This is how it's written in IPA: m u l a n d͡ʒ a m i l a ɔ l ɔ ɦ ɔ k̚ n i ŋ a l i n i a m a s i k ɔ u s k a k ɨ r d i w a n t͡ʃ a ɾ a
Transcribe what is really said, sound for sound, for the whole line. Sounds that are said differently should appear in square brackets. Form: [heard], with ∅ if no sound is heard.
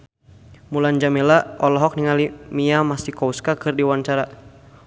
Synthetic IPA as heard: m u l a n d͡ʒ a m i l a ɔ l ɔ ɦ ɔ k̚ n i ŋ a l i [m] i a m a s i k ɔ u s k a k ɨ r d i w a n t͡ʃ a ɾ a